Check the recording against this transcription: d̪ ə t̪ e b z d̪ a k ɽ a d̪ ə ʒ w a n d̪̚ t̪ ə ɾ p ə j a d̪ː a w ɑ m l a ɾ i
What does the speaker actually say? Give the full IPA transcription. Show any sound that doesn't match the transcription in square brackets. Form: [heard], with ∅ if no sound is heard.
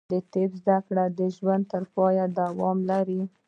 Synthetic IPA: d̪ ə t̪ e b z d̪ a k ɽ a d̪ ə ʒ w a n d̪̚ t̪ ə ɾ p [ɑ] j a [d̪] a w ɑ m l a ɾ i